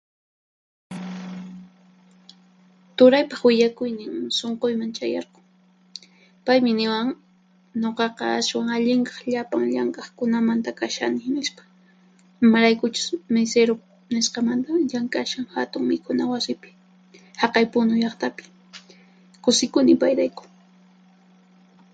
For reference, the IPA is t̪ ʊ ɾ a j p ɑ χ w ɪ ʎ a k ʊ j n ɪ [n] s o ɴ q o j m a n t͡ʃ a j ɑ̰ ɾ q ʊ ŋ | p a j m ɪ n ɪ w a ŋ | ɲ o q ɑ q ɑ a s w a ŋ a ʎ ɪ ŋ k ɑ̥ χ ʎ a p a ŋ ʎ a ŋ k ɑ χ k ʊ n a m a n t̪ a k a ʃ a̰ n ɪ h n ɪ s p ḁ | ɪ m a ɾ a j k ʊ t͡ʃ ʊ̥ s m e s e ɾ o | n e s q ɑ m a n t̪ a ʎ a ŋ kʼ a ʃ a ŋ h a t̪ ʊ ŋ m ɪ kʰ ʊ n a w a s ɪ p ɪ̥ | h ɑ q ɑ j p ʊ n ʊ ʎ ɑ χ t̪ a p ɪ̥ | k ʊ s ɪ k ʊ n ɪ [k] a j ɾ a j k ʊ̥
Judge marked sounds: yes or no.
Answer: no, no

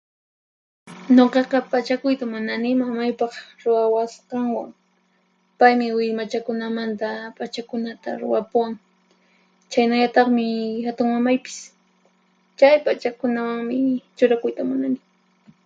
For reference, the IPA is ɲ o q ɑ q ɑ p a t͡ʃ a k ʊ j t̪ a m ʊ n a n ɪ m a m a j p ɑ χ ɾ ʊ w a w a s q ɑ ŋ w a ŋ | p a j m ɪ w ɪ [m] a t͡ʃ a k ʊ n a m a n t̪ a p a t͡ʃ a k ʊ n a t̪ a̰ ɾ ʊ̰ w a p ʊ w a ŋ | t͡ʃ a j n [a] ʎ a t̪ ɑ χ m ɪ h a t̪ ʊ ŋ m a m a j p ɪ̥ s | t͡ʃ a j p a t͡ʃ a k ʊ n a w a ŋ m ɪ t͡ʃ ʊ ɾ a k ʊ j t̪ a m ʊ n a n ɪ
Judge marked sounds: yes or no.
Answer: yes, yes

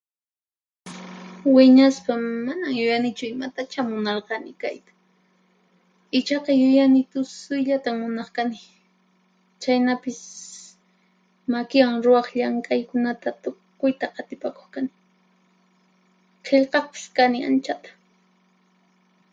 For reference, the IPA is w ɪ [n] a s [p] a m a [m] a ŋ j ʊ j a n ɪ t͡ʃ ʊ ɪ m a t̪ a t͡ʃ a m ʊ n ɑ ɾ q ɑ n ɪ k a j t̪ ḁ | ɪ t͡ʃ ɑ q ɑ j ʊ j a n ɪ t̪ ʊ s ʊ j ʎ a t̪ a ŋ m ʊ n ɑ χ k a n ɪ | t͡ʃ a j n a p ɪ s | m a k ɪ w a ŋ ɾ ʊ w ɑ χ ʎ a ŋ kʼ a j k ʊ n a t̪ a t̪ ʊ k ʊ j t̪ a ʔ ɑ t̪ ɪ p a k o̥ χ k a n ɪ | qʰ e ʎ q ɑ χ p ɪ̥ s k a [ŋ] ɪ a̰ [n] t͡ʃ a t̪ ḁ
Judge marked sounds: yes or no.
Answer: no, yes, no, no, yes

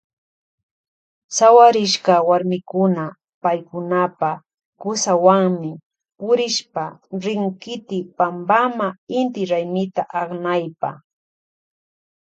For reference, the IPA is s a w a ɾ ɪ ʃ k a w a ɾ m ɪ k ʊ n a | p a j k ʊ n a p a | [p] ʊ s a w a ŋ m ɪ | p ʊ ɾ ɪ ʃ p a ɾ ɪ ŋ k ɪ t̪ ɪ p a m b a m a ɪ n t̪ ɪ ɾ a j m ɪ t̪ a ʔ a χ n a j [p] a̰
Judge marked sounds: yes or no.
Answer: no, yes

